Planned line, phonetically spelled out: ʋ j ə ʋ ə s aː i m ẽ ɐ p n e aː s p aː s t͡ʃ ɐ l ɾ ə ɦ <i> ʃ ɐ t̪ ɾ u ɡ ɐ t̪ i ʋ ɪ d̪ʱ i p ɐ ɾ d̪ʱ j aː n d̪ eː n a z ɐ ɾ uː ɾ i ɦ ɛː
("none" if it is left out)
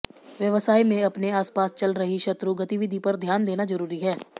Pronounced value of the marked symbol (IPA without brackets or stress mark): i